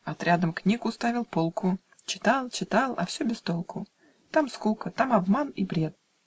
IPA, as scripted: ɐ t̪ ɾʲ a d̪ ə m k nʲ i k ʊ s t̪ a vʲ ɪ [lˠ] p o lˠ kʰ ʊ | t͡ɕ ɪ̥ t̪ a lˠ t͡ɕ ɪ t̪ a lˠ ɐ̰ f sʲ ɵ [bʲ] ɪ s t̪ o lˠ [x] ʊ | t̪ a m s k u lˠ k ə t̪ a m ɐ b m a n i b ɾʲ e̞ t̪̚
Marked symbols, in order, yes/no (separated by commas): yes, yes, no